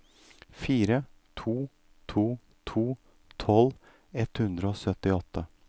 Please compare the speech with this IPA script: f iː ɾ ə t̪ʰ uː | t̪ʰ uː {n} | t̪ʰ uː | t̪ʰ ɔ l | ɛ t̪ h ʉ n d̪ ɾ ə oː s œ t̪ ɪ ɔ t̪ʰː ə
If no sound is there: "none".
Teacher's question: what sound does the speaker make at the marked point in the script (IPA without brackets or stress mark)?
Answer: none